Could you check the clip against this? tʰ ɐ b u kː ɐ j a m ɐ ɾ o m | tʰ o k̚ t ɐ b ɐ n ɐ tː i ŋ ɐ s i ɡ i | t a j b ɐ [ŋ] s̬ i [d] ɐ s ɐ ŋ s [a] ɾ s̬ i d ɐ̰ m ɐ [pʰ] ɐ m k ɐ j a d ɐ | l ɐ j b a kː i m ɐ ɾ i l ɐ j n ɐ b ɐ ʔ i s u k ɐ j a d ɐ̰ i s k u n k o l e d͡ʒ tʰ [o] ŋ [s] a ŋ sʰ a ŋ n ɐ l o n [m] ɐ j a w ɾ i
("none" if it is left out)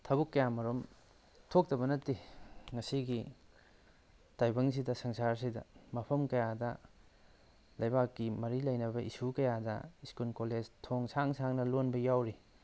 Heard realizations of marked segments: ŋ, d, a, pʰ, o, s, b

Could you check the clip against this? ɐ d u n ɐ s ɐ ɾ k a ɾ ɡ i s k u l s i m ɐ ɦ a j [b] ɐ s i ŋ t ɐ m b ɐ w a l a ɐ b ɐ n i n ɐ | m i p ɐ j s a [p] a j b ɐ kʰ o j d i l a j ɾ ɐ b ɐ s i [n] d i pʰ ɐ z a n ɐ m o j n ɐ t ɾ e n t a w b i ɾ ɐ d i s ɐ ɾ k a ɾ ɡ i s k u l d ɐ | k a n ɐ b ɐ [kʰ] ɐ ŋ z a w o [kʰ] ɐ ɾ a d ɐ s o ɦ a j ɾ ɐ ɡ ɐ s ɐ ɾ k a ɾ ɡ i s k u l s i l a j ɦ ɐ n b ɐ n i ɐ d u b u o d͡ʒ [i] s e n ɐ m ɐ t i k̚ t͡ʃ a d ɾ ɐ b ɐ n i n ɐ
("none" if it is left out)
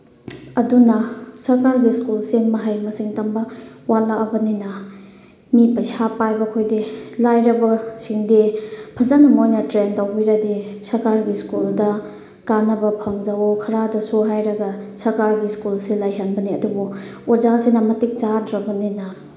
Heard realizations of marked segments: m, p, ŋ, pʰ, kʰ, a

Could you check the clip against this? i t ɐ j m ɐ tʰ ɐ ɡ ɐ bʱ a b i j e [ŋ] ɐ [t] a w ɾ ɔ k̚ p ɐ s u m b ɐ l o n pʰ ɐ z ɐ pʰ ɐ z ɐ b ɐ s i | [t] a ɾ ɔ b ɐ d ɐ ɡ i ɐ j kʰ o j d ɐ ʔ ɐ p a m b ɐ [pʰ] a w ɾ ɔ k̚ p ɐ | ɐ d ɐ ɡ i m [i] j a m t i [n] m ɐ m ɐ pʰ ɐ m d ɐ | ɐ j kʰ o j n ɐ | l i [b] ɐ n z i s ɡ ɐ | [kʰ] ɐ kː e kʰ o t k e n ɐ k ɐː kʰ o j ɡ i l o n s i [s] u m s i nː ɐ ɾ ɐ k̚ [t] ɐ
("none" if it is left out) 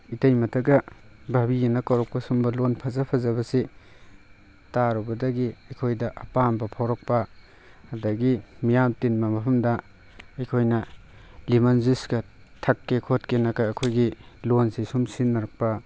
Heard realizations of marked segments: n, k, t, pʰ, i, n, m, tʰ, s, p

